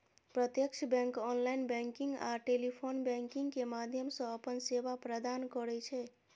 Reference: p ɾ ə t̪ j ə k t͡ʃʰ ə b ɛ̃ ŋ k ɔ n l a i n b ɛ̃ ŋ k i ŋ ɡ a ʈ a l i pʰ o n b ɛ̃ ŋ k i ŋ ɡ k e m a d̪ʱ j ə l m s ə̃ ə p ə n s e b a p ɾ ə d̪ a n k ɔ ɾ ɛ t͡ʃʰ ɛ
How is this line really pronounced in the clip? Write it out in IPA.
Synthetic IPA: p ɾ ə t̪ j ə k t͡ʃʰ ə b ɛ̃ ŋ k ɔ n l a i n b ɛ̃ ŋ k i ŋ ɡ a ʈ e l i pʰ o n b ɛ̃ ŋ k i ŋ ɡ k e m a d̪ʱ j ə m s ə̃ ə p ə n s e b a p ɾ ə d̪ a n k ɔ ɾ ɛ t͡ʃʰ ɛ